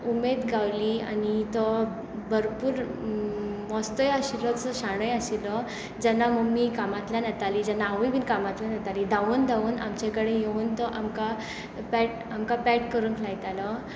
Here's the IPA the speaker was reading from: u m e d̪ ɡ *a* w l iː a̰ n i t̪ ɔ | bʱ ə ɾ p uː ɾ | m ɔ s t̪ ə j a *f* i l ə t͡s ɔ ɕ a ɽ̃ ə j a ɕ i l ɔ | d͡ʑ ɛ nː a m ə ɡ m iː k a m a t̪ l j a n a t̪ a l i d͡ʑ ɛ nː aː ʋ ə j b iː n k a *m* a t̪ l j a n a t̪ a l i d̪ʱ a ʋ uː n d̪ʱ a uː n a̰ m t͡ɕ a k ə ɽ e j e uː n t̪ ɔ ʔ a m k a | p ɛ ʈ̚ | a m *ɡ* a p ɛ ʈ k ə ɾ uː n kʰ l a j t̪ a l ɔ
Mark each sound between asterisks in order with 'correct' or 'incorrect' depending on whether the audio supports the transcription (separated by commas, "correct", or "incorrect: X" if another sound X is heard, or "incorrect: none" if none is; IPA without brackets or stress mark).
correct, incorrect: ɕ, correct, incorrect: k